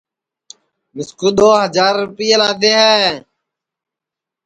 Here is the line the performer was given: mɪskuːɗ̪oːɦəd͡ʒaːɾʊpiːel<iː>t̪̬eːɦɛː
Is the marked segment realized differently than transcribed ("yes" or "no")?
yes